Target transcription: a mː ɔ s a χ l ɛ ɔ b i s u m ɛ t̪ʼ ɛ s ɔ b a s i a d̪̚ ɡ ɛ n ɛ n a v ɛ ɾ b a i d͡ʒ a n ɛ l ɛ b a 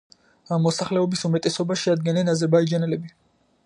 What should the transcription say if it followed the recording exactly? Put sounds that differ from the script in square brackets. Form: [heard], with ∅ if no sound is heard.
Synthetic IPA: a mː ɔ s a χ l ɛ ɔ b i s u m ɛ t̪ʼ ɛ s ɔ b a [ʃ] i a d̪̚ ɡ ɛ n ɛ n a [z] ɛ ɾ b a i d͡ʒ a n ɛ l ɛ b [i]